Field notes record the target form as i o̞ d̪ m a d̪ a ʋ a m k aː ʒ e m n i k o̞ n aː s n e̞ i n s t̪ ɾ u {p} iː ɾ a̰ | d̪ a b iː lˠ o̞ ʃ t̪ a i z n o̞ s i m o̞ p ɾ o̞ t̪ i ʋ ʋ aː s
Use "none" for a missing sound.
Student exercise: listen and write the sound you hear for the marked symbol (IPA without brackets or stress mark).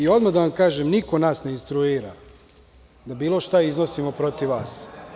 none